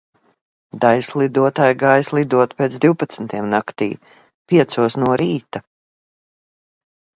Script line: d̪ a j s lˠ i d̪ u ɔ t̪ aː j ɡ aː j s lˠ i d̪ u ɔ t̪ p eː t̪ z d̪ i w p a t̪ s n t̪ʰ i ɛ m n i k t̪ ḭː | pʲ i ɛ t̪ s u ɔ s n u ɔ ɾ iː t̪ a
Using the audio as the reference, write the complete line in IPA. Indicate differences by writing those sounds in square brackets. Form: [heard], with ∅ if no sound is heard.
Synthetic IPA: d̪ a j s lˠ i d̪ u ɔ t̪ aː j ɡ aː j s lˠ i d̪ u ɔ t̪ p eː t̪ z d̪ i w p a t̪ s n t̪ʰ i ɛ m n [a] k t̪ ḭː | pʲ i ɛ t̪ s u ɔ s n u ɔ ɾ iː t̪ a

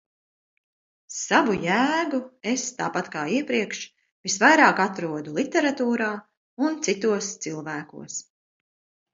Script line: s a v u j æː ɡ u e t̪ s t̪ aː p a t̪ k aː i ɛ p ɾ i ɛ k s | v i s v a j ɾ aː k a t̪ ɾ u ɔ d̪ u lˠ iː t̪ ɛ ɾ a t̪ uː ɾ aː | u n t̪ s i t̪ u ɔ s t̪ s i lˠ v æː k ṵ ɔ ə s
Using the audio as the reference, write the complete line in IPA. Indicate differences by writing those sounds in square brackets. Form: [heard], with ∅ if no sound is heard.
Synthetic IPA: s a v u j æː ɡ u e [∅] s t̪ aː p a t̪ k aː i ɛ p ɾ i ɛ k [ʃ] | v i s v a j ɾ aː k a t̪ ɾ u ɔ d̪ u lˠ [i] t̪ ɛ ɾ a t̪ uː ɾ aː | u n t̪ s i t̪ u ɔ s t̪ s i lˠ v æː k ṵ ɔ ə s

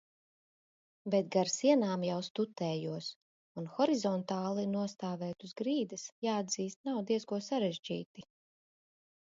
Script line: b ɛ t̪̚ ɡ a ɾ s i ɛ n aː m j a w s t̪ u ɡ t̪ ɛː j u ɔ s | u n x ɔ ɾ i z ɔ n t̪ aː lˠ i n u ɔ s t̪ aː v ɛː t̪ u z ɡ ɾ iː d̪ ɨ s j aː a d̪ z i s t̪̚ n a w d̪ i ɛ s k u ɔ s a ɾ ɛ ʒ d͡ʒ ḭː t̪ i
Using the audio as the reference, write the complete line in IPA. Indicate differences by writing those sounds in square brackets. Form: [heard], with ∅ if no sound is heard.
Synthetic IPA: b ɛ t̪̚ ɡ a ɾ s i ɛ n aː m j a w s t̪ u [∅] t̪ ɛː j u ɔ s | u n x ɔ ɾ i z ɔ n t̪ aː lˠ i n u ɔ s t̪ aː v ɛː t̪ u z ɡ ɾ iː d̪ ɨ s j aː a d̪ z [iː] s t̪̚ n a w d̪ i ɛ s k u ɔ s a ɾ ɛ ʒ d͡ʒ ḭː t̪ i

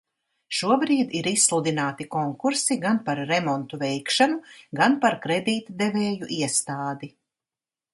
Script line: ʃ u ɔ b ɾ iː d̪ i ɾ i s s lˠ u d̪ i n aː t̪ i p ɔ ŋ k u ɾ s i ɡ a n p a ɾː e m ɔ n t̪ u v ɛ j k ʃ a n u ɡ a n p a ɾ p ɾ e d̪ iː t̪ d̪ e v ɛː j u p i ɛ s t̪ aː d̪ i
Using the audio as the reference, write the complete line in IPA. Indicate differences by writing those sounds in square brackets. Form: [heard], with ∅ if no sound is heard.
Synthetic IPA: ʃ u ɔ b ɾ iː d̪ i ɾ i s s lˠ u d̪ i n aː t̪ i [k] ɔ ŋ k u ɾ s i ɡ a n p a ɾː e m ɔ n t̪ u v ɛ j k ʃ a n u ɡ a n p a ɾ [k] ɾ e d̪ iː t̪ d̪ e v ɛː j u [ʔ] i ɛ s t̪ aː d̪ i

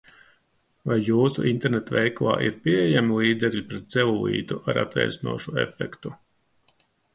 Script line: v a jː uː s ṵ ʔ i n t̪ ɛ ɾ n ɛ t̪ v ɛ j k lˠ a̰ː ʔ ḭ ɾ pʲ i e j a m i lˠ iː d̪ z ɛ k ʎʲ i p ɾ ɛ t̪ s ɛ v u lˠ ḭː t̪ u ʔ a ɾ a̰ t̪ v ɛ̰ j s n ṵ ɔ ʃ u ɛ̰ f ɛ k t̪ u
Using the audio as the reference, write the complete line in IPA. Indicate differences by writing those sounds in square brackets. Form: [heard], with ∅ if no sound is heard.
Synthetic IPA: v a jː uː s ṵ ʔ i n t̪ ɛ ɾ n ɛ t̪ v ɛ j k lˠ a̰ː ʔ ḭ ɾ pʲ i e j a m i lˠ iː d̪ z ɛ k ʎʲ i p ɾ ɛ t̪ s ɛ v u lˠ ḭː t̪ u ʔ a ɾ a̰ t̪ v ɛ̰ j s n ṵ ɔ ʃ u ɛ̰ f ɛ k t̪ u

